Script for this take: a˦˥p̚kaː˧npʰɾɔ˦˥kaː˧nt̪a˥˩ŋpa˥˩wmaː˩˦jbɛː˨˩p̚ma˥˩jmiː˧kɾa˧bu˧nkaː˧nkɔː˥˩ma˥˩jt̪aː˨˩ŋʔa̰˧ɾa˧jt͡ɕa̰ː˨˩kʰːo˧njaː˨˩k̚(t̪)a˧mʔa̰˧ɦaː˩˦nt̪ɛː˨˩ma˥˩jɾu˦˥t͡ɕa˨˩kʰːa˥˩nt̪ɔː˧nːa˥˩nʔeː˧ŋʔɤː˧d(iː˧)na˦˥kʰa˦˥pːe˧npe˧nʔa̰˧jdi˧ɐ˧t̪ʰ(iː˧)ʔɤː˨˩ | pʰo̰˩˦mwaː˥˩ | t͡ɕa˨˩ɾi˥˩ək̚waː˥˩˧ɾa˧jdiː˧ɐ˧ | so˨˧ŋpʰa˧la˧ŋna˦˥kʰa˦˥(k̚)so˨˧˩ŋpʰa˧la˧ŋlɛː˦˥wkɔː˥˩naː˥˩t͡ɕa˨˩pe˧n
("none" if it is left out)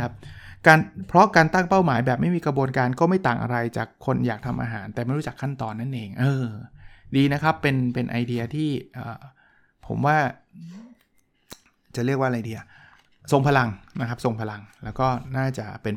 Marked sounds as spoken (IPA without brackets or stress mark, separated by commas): t̪ʰ, iː˧, iː˥˩, p̚